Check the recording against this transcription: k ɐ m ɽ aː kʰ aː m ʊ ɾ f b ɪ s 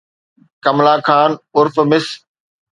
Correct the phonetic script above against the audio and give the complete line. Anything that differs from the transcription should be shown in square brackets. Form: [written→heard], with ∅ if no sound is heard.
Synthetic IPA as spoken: k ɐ m [ɽ→l] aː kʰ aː [m→n] ʊ ɾ f [b→m] ɪ s